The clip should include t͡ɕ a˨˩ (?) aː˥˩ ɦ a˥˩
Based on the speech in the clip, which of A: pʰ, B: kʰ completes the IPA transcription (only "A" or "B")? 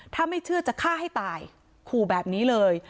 B